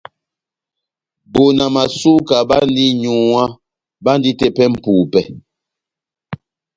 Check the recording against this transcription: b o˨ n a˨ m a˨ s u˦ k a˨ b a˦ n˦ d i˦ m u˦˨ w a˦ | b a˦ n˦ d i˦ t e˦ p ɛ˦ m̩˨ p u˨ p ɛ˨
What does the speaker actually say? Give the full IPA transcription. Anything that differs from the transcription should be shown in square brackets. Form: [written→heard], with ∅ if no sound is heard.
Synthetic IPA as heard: b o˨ n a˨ m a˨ s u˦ k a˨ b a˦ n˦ d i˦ [m→ɲ] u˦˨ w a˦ | b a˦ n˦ d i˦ t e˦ p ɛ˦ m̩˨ p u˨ p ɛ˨